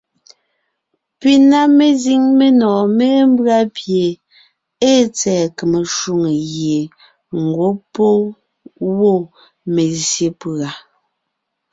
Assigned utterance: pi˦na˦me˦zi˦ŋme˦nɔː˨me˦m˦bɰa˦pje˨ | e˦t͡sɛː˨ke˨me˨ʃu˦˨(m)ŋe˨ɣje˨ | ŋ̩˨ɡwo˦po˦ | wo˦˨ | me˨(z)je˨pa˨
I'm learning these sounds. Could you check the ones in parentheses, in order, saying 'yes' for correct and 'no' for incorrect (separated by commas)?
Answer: no, yes